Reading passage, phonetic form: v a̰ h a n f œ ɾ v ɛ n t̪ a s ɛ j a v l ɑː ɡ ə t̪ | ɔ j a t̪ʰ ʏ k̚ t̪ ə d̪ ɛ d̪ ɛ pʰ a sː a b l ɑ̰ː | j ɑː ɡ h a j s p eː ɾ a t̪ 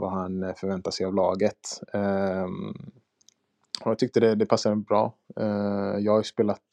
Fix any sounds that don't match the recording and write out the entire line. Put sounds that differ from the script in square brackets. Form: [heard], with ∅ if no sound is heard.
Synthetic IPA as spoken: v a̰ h a n f œ ɾ v ɛ n t̪ a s ɛ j a v l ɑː ɡ ə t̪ | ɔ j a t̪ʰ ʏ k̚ t̪ ə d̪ ɛ d̪ ɛ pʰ a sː a b [ɾ] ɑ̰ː | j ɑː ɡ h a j s p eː [l] a t̪